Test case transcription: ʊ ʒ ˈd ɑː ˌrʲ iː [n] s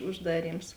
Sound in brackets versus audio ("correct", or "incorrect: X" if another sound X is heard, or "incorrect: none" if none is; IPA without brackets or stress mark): incorrect: m